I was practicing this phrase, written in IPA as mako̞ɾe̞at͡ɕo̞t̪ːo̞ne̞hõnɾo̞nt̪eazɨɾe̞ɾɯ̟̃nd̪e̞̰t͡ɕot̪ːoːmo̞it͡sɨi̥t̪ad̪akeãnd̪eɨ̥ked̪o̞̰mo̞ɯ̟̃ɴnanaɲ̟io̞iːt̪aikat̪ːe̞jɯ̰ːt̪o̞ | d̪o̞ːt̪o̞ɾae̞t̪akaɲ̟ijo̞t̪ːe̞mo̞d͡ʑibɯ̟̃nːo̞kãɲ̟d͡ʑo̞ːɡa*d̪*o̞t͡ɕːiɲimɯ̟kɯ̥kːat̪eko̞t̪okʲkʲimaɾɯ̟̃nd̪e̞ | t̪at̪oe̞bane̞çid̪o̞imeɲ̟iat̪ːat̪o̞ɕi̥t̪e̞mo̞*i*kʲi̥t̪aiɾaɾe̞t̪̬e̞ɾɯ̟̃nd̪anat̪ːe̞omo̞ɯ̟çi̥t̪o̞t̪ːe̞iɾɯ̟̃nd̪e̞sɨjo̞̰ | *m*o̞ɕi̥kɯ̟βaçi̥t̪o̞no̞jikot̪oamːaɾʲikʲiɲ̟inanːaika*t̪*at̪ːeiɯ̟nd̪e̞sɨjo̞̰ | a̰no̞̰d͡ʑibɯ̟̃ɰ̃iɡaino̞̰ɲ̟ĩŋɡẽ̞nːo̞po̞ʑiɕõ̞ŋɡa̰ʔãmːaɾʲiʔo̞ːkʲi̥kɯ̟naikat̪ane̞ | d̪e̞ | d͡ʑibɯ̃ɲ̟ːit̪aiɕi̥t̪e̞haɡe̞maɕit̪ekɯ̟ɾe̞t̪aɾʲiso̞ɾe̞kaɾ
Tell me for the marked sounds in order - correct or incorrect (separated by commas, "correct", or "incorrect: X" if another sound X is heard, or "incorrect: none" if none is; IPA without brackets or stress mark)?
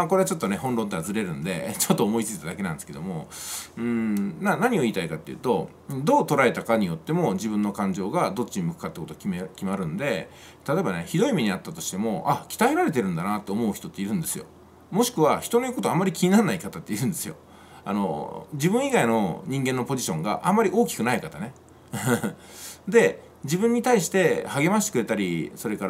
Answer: correct, incorrect: a, correct, correct